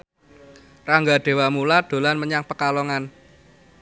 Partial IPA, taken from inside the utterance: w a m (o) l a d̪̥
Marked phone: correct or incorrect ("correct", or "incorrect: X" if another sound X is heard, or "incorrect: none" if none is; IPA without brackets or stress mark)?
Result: incorrect: u